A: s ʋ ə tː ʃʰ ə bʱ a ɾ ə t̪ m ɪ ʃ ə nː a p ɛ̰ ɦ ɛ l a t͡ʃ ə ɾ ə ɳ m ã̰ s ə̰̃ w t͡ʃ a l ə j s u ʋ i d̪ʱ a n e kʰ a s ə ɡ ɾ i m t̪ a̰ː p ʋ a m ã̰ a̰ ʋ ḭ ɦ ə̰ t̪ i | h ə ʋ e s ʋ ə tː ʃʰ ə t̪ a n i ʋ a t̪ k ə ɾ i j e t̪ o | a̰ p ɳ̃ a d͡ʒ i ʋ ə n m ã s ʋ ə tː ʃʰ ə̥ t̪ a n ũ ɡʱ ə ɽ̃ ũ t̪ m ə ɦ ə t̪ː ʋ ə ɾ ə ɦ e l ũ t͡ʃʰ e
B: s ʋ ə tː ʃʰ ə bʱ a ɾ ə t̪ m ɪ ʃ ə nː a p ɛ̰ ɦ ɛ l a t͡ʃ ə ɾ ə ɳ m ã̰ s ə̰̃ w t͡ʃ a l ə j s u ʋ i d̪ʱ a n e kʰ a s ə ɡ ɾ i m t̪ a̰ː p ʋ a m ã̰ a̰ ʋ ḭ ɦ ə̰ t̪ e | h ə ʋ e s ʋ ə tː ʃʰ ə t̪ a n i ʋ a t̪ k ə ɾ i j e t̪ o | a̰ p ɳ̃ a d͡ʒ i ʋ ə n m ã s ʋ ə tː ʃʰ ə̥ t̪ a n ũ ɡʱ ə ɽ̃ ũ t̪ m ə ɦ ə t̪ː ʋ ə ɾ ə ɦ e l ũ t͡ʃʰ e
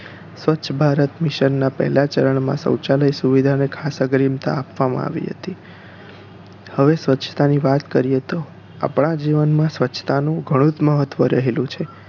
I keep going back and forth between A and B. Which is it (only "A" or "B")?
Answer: A